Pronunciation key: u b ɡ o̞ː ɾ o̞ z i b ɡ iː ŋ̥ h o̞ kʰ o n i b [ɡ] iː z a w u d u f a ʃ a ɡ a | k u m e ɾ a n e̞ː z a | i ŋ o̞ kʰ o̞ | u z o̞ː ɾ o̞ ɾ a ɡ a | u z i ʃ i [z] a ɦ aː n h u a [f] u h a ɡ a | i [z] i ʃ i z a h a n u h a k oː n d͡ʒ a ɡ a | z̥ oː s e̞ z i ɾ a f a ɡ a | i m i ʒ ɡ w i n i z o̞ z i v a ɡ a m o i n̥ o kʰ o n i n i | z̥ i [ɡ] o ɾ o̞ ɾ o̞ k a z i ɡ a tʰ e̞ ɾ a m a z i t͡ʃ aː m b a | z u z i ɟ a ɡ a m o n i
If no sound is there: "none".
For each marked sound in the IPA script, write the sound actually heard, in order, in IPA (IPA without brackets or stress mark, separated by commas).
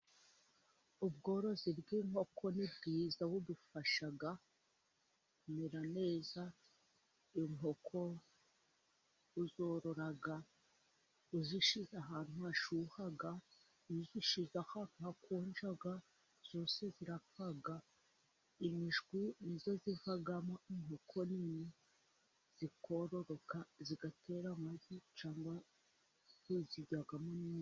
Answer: ɡ, z, ʃ, z, k